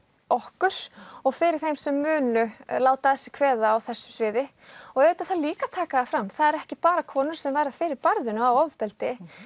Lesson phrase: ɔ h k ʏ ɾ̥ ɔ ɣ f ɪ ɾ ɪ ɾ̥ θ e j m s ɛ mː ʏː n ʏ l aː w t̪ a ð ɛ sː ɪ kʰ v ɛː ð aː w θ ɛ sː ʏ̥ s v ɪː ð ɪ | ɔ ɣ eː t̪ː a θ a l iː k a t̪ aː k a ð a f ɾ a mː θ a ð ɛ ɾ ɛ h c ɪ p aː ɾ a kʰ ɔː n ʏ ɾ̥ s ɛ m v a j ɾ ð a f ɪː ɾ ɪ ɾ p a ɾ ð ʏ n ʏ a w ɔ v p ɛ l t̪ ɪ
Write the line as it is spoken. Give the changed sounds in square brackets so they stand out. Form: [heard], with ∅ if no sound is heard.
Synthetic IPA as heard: ɔ h k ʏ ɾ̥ ɔ ɣ f ɪ ɾ ɪ ɾ̥ θ e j m s ɛ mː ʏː n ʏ l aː w t̪ a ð ɛ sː ɪ kʰ v ɛː ð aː w θ ɛ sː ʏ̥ s v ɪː ð ɪ | ɔ ɣ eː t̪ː a θ a l iː k a [t̪ʰ] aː k a ð a f ɾ a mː θ a ð ɛ ɾ ɛ h c ɪ p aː ɾ a kʰ ɔː n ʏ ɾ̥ s ɛ m v a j ɾ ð a f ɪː ɾ ɪ ɾ p a ɾ ð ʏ n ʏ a w ɔ v p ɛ l t̪ ɪ